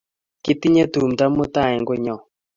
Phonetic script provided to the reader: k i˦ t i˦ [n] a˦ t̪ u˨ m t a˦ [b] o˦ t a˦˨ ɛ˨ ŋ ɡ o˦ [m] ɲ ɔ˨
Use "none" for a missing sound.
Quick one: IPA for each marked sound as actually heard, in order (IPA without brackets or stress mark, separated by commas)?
ɲ, m, none